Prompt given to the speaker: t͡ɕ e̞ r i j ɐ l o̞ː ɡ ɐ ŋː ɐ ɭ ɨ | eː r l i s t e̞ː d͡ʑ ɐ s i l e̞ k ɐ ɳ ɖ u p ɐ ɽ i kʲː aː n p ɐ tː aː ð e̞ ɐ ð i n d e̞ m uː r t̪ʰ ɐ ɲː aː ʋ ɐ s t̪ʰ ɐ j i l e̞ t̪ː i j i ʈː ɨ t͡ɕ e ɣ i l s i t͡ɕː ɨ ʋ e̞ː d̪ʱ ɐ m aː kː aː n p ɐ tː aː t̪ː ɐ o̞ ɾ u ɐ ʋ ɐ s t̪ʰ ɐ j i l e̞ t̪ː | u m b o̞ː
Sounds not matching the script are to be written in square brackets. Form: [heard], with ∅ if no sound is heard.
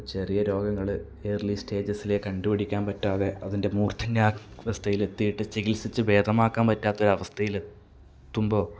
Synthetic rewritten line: t͡ɕ e̞ r i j ɐ [ɾ] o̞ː ɡ ɐ ŋː ɐ ɭ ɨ | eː r l i s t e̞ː d͡ʑ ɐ s i l e̞ k ɐ ɳ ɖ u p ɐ ɽ i kʲː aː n p ɐ tː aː ð e̞ ɐ ð i n d e̞ m uː r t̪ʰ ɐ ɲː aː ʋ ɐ s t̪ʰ ɐ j i l e̞ t̪ː i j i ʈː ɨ t͡ɕ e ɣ i l s i t͡ɕː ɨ ʋ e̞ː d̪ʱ ɐ m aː kː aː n p ɐ tː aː t̪ː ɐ o̞ ɾ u ɐ ʋ ɐ s t̪ʰ ɐ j i l e̞ t̪ː | u m b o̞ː